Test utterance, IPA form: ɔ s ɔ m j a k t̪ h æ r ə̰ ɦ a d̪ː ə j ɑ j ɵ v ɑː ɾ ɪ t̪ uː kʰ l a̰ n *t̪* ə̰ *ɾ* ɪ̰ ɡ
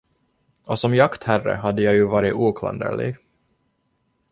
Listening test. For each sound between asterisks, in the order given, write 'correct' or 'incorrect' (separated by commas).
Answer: incorrect, incorrect